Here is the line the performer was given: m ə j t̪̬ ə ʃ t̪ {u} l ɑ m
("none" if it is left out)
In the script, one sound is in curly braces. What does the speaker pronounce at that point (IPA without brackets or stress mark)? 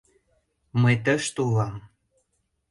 u